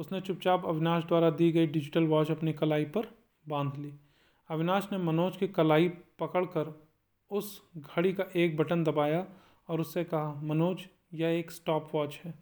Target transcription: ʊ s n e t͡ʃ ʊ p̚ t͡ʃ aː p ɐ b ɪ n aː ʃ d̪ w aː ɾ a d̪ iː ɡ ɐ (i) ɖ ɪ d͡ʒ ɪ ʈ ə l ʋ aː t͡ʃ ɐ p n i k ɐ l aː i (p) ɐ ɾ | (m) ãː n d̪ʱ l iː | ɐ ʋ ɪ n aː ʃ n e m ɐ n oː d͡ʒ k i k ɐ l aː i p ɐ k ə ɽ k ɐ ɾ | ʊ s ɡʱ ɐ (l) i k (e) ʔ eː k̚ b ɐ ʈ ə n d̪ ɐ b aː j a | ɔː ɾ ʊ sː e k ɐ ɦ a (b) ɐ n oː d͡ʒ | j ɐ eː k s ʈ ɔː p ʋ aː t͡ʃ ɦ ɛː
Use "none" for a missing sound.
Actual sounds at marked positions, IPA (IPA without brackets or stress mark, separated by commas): i, p, b, ɽ, a, m